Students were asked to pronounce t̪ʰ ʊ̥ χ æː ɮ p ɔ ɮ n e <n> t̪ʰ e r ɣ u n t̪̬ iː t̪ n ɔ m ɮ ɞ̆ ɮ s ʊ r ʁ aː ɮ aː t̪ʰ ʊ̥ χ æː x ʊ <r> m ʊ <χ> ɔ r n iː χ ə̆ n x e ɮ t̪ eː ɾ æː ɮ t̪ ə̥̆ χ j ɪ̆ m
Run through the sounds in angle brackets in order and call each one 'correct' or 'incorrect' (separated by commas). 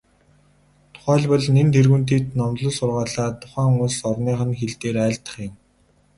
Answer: correct, incorrect, incorrect